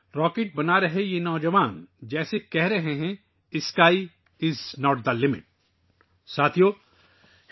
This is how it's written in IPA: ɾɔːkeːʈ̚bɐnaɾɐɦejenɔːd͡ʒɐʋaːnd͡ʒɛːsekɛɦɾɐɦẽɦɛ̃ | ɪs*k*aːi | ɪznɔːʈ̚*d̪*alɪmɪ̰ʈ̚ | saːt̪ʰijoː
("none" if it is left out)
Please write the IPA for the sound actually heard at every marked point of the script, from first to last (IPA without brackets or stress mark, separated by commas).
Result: k, d̪